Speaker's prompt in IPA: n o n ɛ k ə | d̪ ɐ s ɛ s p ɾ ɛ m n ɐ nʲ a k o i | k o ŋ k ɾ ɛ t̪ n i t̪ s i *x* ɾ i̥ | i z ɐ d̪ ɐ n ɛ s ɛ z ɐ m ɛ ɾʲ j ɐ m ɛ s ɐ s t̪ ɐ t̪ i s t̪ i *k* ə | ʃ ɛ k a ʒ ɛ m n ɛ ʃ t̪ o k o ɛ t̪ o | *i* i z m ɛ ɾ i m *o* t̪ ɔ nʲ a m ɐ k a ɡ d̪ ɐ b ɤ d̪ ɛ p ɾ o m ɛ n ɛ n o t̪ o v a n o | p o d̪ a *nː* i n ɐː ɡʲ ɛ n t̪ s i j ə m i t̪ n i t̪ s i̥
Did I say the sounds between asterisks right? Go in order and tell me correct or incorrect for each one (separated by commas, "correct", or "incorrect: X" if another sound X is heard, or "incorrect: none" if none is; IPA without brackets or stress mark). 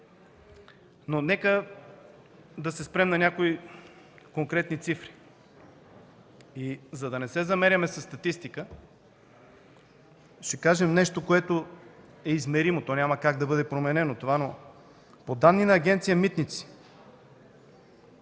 incorrect: f, correct, incorrect: ɛ, correct, correct